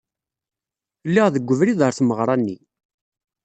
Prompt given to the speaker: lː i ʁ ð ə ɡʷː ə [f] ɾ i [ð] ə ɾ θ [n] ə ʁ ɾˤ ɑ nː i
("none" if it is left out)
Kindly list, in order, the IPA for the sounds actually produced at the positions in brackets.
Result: v, ð, m

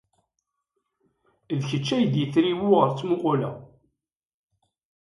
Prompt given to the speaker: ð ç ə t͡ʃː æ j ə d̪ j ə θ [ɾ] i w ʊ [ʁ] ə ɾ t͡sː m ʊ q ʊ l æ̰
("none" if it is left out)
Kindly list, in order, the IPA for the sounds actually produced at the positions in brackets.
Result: ɾ, ʁ

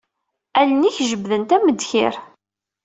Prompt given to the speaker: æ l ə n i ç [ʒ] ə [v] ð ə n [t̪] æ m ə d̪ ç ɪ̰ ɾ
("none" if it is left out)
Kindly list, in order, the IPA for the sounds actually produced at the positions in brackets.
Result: ʒ, b, t̪

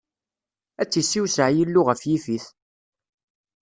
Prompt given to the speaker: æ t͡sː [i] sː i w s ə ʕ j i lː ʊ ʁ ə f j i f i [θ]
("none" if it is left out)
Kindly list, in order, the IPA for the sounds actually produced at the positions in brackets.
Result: i, θ

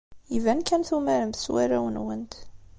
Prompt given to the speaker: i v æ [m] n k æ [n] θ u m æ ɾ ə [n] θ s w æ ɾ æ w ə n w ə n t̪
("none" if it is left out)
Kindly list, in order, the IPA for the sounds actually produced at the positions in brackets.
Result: none, n, m

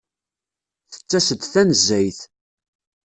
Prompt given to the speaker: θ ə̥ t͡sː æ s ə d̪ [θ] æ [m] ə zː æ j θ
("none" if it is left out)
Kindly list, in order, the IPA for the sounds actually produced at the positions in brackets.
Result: θ, n

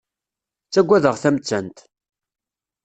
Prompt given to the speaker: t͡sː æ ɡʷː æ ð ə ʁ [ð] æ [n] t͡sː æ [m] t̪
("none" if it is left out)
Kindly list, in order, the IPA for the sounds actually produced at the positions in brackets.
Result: θ, m, n

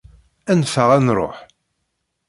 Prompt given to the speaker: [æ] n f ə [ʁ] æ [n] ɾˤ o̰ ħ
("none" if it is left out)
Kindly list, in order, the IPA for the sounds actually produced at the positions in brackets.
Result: æ, ʁ, n

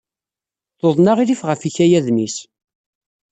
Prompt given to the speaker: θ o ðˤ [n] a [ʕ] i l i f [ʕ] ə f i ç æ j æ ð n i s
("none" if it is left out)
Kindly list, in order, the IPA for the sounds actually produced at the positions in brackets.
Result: n, ʁ, ʁ

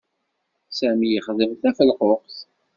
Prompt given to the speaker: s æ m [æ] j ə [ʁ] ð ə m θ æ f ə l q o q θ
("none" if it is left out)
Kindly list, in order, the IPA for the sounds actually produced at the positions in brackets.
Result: i, χ

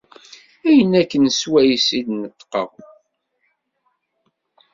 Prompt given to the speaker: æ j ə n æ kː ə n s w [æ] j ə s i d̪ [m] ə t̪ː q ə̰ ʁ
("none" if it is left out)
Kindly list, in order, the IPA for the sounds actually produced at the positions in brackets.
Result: æ, n

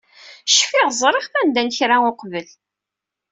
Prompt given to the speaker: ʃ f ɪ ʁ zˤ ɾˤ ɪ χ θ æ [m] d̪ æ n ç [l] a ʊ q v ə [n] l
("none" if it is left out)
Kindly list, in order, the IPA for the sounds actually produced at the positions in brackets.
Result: n, ɾ, none

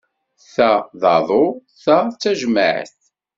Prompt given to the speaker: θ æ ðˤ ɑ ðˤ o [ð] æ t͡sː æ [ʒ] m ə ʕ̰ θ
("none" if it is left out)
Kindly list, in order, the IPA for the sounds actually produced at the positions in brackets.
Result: θ, ʒ

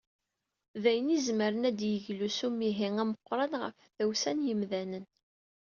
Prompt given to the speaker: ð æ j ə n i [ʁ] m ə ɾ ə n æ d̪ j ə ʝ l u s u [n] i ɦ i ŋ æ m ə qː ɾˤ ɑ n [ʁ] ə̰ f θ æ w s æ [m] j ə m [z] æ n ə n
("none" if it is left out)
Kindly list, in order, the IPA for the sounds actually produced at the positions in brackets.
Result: z, m, ʁ, n, ð

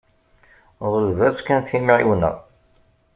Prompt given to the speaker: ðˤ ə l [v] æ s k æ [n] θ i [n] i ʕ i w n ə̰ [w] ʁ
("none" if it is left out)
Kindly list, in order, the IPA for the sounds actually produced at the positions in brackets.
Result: v, n, m, none

